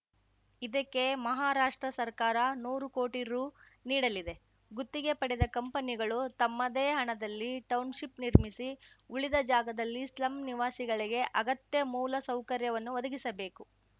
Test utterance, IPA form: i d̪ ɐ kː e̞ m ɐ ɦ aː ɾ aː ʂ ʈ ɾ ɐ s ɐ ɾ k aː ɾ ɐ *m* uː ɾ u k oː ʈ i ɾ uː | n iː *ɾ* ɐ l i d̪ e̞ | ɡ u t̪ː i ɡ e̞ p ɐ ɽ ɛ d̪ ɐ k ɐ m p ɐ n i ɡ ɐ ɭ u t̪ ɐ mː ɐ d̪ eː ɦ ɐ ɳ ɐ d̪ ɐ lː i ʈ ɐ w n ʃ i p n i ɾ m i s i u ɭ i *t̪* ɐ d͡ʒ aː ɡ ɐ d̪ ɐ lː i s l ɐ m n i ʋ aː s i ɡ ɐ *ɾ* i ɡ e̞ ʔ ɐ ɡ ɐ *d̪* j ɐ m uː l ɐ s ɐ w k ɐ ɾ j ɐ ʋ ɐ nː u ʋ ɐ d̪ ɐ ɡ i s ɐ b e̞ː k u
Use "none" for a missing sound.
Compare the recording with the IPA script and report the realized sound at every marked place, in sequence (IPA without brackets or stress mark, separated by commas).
n, ɽ, d̪, ɭ, t̪